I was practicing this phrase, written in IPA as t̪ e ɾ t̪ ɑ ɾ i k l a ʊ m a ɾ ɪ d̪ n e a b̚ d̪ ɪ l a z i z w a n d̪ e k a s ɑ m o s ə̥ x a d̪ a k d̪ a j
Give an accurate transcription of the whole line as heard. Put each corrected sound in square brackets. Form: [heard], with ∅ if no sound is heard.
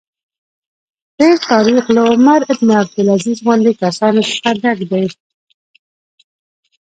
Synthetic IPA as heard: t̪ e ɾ t̪ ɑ ɾ i [x] l a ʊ m a ɾ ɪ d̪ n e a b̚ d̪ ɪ l a z i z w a n d̪ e k a s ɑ [n] o s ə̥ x a d̪ a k d̪ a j